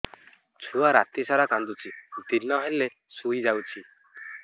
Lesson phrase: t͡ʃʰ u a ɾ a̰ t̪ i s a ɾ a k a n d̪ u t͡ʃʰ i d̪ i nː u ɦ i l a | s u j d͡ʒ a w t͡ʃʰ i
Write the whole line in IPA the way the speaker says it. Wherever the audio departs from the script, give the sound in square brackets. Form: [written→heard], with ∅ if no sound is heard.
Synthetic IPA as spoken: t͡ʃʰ u a ɾ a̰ t̪ i s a ɾ a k a n d̪ u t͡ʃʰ i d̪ i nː [u→ɔ] ɦ [i→e] l [a→e] | s u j d͡ʒ a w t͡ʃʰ i

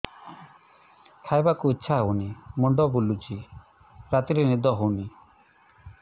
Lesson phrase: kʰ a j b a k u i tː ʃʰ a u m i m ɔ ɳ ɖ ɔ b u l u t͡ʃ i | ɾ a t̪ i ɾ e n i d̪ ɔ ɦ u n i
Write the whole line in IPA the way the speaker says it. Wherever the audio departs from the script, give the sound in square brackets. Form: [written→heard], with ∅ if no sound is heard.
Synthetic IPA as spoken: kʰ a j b a k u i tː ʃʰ a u [m→n] i m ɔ ɳ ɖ ɔ b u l u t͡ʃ i | ɾ a t̪ i ɾ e n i d̪ ɔ ɦ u n i

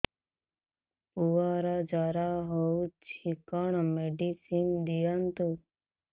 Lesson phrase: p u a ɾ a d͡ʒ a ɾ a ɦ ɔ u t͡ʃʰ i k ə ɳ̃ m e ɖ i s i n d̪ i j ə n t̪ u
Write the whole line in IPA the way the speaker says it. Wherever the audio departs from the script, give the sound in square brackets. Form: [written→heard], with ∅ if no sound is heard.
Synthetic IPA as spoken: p u a ɾ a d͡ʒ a ɾ a ɦ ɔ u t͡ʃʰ i k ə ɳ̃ m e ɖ i s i n d̪ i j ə n t̪ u

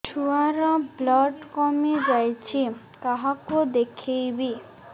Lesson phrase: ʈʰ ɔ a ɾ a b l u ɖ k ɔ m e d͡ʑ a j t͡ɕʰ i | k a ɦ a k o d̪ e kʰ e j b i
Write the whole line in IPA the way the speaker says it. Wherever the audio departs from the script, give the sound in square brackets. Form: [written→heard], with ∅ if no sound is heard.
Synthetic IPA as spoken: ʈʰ [ɔ→u] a ɾ a b l [u→ɔ] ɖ k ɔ m e d͡ʑ a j t͡ɕʰ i | k a ɦ a k o d̪ e kʰ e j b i

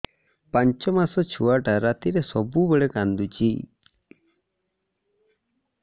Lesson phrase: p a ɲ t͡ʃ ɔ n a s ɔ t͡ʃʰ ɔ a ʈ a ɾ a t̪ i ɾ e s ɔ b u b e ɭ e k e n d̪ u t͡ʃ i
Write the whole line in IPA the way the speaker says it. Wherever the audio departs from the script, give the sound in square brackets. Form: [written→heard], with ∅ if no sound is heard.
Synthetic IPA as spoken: p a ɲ t͡ʃ ɔ [n→m] a s ɔ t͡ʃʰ [ɔ→u] a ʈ a ɾ a t̪ i ɾ e s ɔ b u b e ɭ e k [e→a] n d̪ u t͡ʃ i

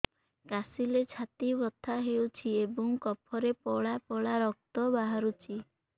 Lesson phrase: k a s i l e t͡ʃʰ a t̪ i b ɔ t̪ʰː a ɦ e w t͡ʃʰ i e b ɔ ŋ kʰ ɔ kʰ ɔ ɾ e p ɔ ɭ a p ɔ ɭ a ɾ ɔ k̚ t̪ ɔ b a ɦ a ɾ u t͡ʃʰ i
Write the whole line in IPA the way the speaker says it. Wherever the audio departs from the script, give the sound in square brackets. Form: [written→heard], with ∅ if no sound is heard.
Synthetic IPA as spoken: k a s i l e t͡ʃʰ a t̪ i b ɔ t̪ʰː a ɦ e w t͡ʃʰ i e b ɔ ŋ [kʰ→k] ɔ [kʰ→pʰ] ɔ ɾ e p ɔ ɭ a p ɔ ɭ a ɾ ɔ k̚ t̪ ɔ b a ɦ a ɾ u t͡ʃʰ i

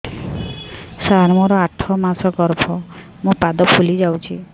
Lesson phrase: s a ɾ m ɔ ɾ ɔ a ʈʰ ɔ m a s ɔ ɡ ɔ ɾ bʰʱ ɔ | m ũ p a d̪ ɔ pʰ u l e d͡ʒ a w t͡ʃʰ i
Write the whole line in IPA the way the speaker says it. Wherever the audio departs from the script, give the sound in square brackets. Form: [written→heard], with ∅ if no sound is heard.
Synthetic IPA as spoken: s a ɾ m ɔ ɾ ɔ a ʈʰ ɔ m a s ɔ ɡ ɔ ɾ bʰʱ ɔ | m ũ p a d̪ ɔ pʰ u l [e→i] d͡ʒ a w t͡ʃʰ i

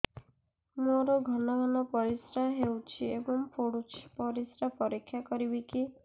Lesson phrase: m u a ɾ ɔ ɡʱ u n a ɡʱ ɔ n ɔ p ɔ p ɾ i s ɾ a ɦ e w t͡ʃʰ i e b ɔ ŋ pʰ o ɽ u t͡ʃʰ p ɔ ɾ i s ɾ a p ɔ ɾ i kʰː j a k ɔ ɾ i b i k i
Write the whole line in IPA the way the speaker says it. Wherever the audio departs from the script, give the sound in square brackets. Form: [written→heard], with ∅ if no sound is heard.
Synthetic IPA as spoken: m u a ɾ ɔ ɡʱ [u→ɔ] n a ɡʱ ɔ n ɔ p ɔ [p→∅] ɾ i s ɾ a ɦ e w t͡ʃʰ i e b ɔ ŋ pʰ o ɽ u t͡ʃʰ p ɔ ɾ i s ɾ a p ɔ ɾ i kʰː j a k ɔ ɾ i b i k i

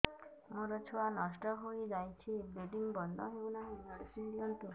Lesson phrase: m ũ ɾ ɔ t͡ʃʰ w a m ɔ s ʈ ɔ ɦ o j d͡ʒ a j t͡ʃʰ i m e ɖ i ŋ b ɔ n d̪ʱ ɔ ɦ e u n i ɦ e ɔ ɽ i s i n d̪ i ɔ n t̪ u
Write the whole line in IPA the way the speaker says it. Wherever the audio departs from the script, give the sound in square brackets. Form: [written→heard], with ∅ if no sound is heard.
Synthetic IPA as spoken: m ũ ɾ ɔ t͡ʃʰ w a [m→n] ɔ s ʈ ɔ ɦ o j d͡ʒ a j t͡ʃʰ i [m→b] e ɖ i ŋ b ɔ n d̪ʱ ɔ ɦ e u n [i→a] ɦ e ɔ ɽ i s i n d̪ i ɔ n t̪ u

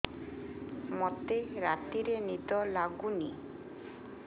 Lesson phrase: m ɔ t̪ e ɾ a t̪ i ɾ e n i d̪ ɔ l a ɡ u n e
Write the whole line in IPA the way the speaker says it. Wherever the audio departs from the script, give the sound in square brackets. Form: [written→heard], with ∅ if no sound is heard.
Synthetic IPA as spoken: m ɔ t̪ e ɾ a t̪ i ɾ e n i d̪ ɔ l a ɡ u n [e→i]

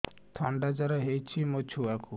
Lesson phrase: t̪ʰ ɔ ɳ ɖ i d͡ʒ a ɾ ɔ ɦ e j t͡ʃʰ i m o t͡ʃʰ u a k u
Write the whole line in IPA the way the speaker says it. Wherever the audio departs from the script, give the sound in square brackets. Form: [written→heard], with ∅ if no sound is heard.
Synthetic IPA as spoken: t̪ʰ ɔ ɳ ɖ [i→a] d͡ʒ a ɾ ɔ ɦ e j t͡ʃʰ i m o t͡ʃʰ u a k u

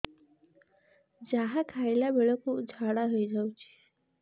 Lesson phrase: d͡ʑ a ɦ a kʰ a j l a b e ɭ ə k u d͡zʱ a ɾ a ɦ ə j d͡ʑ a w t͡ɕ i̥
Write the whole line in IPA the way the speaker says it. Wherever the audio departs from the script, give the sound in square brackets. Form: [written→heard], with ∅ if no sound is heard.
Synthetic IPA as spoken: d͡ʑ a ɦ a kʰ a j l a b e ɭ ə k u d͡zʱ a [ɾ→ɽ] a ɦ ə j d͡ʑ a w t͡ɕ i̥

